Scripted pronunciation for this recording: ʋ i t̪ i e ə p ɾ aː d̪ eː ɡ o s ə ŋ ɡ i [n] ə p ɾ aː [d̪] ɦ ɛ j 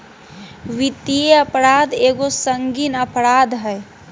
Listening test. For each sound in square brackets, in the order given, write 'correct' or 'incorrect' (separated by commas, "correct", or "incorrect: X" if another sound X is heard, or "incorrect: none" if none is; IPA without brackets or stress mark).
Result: correct, correct